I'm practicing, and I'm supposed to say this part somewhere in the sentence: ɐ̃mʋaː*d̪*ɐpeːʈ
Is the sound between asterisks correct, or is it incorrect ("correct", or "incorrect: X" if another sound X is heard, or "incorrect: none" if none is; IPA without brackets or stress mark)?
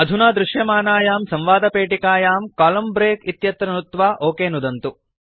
correct